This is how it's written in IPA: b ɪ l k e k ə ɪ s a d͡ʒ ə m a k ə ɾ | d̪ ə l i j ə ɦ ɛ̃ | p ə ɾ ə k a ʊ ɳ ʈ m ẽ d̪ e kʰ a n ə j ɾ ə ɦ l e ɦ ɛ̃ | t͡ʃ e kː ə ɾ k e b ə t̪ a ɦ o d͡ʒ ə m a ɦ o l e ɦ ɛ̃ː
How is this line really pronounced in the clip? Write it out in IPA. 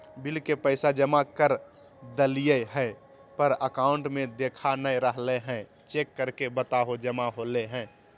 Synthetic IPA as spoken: b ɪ l k e p ə ɪ s a d͡ʒ ə m a k ə ɾ | d̪ ə l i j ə ɦ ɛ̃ | p ə ɾ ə k a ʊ ɳ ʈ m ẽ d̪ e kʰ a n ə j ɾ ə ɦ l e ɦ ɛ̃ | t͡ʃ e kː ə ɾ k e b ə t̪ a ɦ o d͡ʒ ə m a ɦ o l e ɦ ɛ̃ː

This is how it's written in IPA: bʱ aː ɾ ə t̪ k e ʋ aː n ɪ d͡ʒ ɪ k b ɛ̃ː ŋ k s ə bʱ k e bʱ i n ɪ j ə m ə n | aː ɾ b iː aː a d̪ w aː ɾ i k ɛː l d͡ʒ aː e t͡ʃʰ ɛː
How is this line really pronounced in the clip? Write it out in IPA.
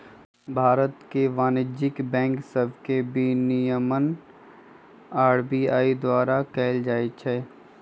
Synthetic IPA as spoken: bʱ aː ɾ ə t̪ k e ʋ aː n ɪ d͡ʒ ɪ k b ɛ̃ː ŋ k s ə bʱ k e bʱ i n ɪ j ə m ə n | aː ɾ b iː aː i d̪ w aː ɾ a k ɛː l d͡ʒ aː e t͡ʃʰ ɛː

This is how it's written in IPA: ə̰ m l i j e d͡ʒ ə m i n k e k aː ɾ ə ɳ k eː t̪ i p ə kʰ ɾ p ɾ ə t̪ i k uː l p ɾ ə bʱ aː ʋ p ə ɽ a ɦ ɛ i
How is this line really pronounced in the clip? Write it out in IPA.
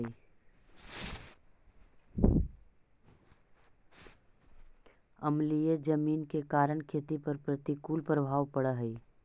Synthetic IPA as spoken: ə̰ m l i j e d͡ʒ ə m iː n k e k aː ɾ ə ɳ kʰ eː t̪ i p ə ɾ p ɾ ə t̪ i k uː l p ɾ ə bʱ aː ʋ p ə ɽ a ɦ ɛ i

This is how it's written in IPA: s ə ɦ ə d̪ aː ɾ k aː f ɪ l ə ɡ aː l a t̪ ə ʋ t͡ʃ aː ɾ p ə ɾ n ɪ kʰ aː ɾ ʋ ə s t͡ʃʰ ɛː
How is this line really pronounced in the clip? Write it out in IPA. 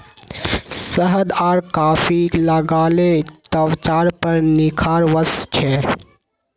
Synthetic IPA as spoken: s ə ɦ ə d̪ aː ɾ k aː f i l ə ɡ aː l e t̪ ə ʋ t͡ʃ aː ɾ p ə ɾ n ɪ kʰ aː ɾ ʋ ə s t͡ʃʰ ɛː

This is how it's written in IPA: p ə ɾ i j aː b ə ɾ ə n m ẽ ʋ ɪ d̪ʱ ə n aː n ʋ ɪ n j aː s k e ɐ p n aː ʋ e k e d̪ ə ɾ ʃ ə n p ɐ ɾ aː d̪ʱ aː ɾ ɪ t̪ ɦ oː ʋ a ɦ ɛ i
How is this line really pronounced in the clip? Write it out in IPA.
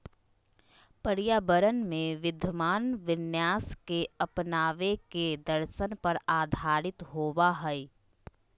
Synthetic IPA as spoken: p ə ɾ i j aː b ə ɾ ə n m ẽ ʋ ɪ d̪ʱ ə m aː n ʋ ɪ n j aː s k e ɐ p n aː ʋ e k e d̪ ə ɾ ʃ ə n p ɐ ɾ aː d̪ʱ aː ɾ ɪ t̪ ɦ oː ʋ a ɦ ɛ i

